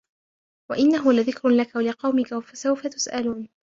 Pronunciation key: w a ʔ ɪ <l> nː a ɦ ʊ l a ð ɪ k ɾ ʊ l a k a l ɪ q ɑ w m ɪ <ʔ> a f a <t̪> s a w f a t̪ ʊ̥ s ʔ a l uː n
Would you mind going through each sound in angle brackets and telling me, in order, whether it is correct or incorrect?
incorrect, incorrect, incorrect

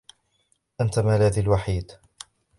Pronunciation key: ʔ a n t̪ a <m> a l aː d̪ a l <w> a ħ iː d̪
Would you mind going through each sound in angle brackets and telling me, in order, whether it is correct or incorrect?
correct, correct

